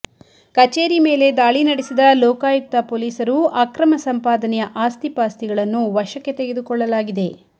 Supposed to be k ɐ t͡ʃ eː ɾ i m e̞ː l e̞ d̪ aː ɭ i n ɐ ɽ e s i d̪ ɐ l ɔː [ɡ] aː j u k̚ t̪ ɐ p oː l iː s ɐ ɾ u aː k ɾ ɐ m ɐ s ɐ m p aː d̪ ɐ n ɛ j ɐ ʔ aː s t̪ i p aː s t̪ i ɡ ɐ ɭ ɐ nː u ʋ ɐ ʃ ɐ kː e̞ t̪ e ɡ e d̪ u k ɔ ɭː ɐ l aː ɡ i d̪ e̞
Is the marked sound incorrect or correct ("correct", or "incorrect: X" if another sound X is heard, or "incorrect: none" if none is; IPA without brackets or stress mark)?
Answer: incorrect: k